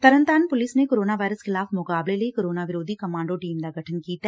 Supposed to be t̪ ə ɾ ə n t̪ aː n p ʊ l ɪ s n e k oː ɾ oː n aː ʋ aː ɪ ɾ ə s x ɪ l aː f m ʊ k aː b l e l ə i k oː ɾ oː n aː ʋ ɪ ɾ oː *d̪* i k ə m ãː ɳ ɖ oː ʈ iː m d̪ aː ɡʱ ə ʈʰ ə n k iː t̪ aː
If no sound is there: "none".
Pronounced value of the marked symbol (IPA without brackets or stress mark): d̪